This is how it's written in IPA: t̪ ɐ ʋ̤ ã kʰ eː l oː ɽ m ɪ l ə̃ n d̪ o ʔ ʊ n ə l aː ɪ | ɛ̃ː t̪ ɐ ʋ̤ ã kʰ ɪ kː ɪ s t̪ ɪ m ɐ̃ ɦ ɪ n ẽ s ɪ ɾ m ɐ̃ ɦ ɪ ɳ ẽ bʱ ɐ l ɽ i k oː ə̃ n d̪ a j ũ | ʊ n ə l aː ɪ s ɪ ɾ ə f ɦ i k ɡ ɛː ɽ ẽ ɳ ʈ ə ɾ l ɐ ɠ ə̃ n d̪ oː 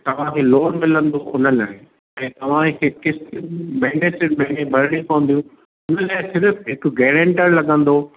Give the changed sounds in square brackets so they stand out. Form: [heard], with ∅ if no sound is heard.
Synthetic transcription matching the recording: t̪ ɐ ʋ̤ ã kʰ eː l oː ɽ m ɪ l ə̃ n d̪ o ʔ ʊ n ə l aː ɪ | ɛ̃ː t̪ ɐ ʋ̤ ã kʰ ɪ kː ɪ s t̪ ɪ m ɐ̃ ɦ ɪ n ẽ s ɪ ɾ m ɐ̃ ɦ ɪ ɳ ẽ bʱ ɐ [ɾ] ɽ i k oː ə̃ n d̪ [i] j ũ | ʊ n ə l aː ɪ s ɪ ɾ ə f ɦ [ɪ] k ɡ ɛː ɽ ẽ ɳ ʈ ə ɾ l ɐ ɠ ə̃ n d̪ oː